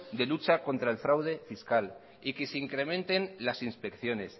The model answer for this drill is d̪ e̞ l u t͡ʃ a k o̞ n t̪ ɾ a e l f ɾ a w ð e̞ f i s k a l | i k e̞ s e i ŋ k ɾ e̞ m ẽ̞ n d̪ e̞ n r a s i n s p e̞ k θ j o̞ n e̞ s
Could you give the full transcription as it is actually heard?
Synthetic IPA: d̪ e̞ l u t͡ʃ a k o̞ n t̪ ɾ a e l f ɾ a w ð e̞ f i s k a l | i k e̞ s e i ŋ k ɾ e̞ m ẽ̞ n t̪ e̞ n l a s i n s p e̞ k θ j o̞ n e̞ s